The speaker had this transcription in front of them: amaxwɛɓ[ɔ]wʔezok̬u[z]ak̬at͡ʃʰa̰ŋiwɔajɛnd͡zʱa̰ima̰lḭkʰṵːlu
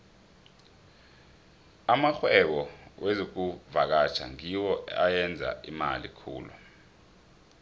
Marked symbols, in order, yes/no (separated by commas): yes, no